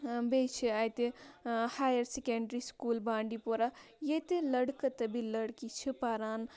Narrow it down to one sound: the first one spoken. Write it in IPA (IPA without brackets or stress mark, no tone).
b